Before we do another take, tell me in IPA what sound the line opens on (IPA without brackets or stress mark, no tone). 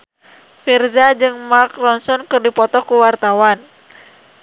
f